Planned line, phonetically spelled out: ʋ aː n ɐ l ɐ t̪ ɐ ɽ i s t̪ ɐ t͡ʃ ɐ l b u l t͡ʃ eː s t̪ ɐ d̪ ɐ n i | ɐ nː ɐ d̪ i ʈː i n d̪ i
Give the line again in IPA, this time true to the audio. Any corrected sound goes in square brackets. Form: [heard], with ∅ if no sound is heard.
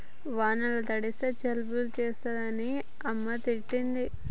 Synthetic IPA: ʋ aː n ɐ l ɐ t̪ ɐ ɽ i s t̪ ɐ t͡ʃ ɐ l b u l t͡ʃ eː s t̪ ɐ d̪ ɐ n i | ɐ [mː] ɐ [t̪] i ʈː i n d̪ i